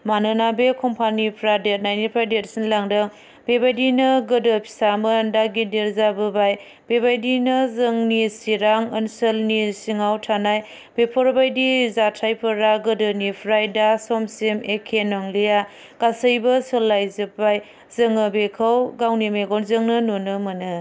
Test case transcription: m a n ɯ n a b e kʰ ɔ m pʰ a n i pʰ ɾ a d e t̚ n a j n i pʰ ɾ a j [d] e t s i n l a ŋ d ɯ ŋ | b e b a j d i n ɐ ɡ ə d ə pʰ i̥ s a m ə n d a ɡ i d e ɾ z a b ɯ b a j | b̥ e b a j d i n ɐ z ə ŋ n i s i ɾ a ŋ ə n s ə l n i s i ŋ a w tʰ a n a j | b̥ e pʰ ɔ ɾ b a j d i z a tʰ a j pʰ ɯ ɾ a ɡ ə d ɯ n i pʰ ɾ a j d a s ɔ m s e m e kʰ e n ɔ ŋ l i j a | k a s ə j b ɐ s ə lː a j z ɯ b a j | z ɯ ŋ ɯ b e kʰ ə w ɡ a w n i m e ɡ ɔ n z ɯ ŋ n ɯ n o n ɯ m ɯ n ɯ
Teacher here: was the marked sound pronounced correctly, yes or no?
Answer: yes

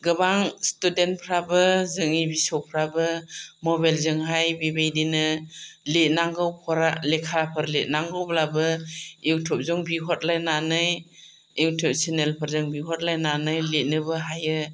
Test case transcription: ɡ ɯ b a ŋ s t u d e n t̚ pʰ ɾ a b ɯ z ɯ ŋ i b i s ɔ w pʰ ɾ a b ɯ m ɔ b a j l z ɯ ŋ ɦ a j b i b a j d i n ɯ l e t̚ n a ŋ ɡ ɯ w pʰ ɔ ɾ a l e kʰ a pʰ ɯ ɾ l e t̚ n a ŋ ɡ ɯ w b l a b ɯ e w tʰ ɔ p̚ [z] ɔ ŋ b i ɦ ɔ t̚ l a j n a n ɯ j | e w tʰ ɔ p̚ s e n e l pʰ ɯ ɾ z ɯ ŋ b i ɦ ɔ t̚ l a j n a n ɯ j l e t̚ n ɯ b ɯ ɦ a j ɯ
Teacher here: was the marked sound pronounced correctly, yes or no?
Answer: yes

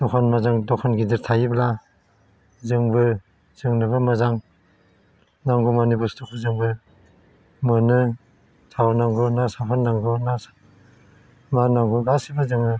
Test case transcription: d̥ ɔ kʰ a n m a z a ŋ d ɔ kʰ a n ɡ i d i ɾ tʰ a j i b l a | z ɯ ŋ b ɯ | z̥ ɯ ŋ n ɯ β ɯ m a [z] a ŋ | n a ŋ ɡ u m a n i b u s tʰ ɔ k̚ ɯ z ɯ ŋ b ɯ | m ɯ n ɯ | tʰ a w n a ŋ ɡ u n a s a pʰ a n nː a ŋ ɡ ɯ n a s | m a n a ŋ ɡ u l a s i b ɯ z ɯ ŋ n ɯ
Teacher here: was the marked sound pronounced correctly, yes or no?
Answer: yes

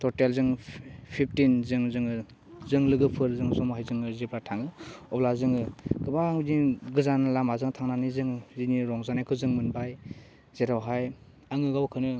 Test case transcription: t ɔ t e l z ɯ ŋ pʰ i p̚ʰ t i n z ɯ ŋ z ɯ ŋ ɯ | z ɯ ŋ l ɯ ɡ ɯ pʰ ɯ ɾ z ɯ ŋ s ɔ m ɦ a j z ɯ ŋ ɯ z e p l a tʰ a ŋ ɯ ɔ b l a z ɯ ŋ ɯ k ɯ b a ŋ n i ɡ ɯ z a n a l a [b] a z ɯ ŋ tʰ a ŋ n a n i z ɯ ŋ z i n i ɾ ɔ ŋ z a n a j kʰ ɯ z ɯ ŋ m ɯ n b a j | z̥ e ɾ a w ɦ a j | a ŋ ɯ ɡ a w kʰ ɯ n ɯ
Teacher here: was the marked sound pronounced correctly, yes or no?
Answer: no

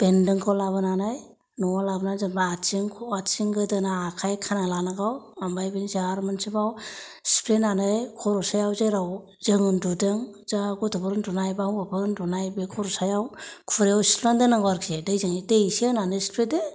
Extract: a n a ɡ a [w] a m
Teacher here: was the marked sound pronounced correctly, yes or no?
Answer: yes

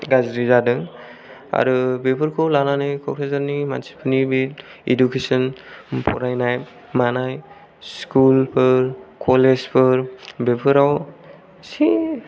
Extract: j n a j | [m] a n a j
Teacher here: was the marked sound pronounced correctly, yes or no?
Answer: yes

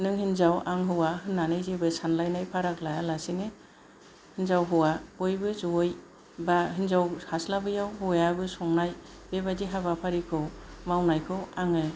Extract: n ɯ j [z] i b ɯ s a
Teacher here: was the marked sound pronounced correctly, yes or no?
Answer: yes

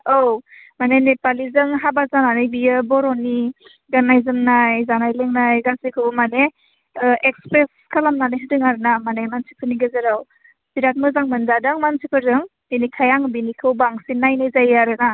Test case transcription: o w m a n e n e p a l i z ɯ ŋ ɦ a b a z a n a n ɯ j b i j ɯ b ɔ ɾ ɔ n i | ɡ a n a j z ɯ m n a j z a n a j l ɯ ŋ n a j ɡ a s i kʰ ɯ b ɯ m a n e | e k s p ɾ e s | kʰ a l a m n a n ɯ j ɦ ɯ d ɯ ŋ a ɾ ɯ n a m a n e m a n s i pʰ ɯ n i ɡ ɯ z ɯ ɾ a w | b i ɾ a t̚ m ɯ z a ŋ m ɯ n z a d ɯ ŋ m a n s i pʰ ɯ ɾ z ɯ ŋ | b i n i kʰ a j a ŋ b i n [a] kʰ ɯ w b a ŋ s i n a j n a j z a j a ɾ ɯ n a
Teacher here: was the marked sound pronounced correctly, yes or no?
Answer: no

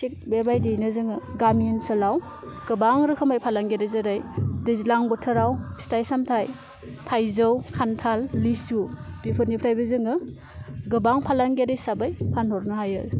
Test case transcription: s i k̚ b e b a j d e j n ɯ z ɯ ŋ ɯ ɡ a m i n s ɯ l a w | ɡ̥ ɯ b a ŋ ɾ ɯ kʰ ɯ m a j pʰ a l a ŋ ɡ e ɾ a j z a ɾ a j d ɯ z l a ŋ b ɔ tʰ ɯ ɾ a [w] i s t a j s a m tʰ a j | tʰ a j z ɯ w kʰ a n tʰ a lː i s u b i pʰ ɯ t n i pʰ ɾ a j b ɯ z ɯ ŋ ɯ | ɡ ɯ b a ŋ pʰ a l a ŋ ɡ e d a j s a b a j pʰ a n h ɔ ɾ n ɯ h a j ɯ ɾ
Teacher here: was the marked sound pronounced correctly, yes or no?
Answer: yes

